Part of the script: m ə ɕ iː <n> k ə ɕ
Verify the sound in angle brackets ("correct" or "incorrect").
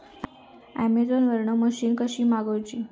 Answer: correct